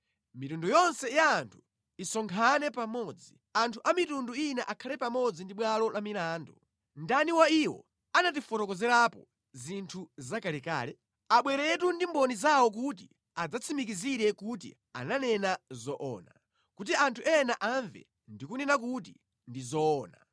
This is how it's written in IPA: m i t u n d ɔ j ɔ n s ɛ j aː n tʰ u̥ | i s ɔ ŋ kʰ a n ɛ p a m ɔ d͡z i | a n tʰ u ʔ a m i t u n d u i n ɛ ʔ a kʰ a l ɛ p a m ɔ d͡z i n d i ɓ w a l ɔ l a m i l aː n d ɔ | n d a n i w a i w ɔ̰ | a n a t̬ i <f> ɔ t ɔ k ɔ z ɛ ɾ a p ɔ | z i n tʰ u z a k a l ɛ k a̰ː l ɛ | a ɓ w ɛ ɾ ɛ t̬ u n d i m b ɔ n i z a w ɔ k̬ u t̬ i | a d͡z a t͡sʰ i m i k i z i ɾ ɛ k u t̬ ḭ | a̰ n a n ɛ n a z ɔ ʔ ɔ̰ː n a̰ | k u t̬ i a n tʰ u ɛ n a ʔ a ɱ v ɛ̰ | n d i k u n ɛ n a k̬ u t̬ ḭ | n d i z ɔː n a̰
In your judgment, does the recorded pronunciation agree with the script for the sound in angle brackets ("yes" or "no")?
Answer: yes